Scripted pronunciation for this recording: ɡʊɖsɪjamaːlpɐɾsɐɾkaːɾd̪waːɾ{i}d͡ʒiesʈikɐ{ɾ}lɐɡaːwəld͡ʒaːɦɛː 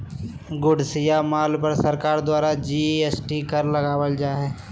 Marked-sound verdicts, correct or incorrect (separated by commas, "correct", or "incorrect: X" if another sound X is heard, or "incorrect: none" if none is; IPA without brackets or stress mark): incorrect: a, correct